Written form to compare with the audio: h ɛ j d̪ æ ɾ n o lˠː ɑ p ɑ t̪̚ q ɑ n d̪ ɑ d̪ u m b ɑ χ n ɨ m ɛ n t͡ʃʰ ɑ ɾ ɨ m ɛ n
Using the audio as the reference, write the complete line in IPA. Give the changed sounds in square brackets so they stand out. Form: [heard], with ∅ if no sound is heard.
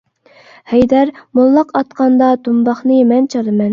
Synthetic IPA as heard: h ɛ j d̪ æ ɾ [m] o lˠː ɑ [q] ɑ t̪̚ q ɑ n d̪ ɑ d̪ u m b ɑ χ n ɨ m ɛ n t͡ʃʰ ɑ ɾ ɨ m ɛ n